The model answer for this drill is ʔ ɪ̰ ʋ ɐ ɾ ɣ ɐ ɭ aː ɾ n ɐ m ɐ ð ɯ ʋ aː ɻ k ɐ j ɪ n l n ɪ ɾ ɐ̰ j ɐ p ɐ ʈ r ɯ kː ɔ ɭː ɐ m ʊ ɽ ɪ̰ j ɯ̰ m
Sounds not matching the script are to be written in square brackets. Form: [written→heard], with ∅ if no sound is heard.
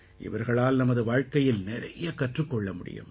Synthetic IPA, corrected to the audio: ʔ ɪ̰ ʋ ɐ ɾ ɣ ɐ ɭ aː [ɾ→l] n ɐ m ɐ ð ɯ ʋ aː ɻ k ɐ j ɪ [n→∅] l n ɪ ɾ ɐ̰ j ɐ [p→k] ɐ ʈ r ɯ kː ɔ ɭː ɐ m ʊ ɽ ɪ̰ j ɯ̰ m